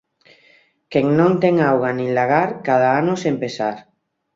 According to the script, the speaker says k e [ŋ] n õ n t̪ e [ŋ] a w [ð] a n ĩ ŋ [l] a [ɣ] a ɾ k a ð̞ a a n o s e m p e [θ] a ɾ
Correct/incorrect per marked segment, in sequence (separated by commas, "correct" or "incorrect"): correct, correct, incorrect, correct, correct, incorrect